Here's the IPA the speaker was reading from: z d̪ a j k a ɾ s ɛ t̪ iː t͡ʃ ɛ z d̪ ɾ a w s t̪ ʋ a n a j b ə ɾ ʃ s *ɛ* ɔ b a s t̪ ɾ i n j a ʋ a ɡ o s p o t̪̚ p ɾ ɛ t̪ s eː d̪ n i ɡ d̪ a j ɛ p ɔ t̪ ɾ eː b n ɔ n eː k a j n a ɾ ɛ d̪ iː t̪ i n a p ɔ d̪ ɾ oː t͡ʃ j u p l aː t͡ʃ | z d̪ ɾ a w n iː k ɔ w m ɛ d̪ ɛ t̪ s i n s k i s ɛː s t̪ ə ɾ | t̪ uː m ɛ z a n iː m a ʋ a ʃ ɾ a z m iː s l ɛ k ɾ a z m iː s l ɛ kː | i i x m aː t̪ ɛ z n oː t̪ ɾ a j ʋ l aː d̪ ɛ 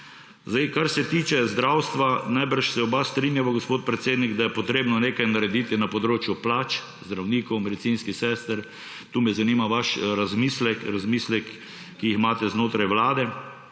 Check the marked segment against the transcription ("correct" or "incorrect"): correct